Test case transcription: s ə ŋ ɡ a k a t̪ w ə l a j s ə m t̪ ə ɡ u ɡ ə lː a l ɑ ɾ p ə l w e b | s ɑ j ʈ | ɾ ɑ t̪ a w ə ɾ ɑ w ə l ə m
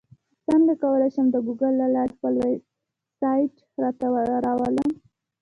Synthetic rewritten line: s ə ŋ ɡ a k a w ə l a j ʃ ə m d̪ ə ɡ u ɡ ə lː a l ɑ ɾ p ə l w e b | s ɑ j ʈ | ɾ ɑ t̪ a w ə ɾ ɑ w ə l ə m